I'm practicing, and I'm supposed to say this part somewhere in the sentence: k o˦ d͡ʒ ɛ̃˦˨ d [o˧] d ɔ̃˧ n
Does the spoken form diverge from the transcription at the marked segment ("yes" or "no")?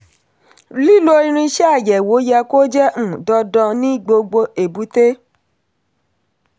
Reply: yes